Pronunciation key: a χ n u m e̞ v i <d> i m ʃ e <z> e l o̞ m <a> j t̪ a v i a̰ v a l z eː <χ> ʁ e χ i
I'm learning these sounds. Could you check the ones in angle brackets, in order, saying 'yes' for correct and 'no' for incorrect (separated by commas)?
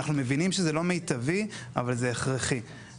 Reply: no, yes, no, yes